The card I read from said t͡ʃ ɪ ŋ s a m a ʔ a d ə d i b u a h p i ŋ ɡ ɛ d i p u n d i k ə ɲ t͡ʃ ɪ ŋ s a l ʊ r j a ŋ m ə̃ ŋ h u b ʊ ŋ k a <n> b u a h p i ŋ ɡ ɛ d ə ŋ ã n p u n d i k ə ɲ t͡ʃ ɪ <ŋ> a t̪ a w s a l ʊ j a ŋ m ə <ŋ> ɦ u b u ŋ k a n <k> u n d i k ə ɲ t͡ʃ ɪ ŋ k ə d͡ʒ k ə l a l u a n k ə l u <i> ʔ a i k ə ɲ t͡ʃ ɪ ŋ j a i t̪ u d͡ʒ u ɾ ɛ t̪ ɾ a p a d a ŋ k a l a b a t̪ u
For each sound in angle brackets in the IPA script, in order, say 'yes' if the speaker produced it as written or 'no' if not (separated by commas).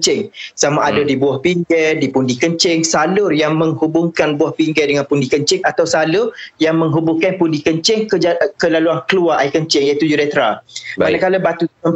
yes, yes, yes, no, no